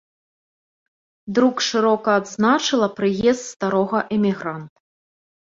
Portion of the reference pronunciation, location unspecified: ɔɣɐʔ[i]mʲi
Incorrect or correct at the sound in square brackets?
incorrect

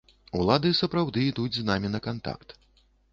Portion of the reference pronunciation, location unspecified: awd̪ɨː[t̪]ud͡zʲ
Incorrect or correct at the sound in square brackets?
incorrect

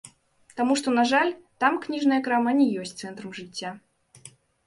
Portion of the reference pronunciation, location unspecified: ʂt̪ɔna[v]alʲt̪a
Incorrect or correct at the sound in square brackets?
incorrect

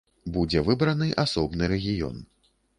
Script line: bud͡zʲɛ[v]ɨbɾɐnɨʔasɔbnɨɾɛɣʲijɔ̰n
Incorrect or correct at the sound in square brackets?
correct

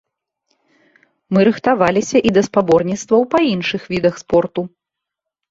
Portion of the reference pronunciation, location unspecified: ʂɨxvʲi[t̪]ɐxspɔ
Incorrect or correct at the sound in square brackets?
incorrect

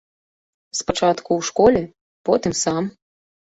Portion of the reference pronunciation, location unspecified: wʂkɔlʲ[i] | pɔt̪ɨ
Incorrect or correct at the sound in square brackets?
incorrect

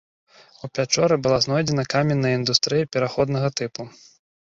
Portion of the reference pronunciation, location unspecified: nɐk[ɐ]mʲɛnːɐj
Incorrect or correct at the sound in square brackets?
incorrect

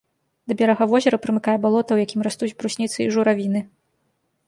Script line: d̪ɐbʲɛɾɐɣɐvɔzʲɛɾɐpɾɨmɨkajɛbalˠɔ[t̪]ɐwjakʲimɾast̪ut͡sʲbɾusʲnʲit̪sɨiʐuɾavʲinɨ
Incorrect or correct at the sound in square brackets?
correct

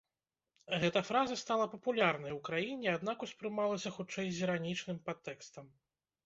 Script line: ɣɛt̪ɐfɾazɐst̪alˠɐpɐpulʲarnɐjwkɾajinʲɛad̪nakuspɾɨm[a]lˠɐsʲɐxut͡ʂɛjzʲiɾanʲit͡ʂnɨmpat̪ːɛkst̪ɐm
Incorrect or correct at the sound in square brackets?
correct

